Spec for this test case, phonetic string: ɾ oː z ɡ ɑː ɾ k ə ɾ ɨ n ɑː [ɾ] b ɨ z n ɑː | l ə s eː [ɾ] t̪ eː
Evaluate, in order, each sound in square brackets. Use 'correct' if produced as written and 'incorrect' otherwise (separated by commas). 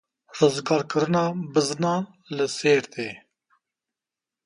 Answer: incorrect, correct